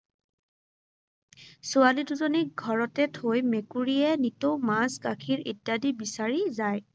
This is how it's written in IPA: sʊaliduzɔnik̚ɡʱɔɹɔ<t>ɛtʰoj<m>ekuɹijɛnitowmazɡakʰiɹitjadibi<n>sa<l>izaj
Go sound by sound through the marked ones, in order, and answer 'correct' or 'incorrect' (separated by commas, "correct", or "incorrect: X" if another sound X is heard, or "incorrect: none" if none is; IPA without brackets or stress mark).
correct, correct, incorrect: none, incorrect: ɹ